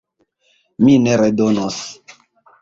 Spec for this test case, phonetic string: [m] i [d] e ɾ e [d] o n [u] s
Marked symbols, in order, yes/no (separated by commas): yes, no, yes, no